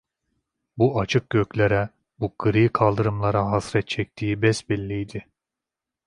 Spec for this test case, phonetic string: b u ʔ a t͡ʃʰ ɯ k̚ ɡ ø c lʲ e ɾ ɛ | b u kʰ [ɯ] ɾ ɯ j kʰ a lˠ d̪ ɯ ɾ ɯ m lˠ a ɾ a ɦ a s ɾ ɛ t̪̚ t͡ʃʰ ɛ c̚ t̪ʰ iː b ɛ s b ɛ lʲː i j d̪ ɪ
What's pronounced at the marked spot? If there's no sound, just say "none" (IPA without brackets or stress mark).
ɯ